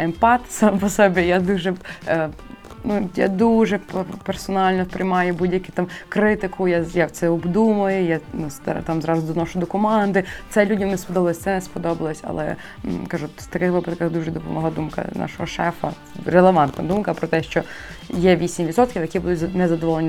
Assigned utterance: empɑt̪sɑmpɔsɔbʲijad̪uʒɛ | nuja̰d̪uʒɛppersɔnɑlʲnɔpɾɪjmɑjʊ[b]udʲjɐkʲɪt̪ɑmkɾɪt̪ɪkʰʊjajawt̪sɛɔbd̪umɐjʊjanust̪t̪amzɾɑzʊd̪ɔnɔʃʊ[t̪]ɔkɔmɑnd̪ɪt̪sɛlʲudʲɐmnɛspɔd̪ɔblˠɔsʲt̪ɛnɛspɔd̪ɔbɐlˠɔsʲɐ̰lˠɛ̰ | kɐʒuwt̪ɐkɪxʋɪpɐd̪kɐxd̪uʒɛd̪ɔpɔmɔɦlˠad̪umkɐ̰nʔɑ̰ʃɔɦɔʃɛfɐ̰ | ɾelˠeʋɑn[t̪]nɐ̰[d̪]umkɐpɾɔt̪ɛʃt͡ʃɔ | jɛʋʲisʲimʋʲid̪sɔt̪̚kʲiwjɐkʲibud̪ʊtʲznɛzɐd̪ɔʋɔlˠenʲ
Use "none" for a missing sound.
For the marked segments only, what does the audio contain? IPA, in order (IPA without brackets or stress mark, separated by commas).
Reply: b, d̪, t̪, d̪